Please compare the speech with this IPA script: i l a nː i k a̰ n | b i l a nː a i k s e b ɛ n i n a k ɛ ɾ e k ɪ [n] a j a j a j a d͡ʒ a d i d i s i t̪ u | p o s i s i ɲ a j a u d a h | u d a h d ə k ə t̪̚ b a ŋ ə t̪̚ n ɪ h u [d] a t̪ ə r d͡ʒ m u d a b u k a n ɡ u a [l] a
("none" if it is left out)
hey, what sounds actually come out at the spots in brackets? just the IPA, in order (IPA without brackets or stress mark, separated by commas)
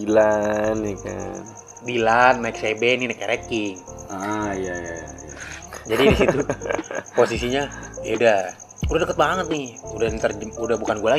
ŋ, d, l